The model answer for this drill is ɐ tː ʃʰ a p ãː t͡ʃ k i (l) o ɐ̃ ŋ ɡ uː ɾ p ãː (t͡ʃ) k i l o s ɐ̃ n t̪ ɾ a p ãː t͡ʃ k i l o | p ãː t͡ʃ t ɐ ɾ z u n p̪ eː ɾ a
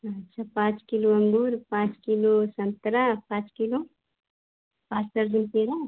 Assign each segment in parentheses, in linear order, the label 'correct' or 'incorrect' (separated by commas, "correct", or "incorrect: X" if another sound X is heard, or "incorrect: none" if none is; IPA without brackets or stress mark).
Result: correct, correct